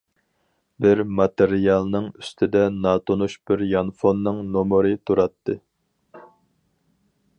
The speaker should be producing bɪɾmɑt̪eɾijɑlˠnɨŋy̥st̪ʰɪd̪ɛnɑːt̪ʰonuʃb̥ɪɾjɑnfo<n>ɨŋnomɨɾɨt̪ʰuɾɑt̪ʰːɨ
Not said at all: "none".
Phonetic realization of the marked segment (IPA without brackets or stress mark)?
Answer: nː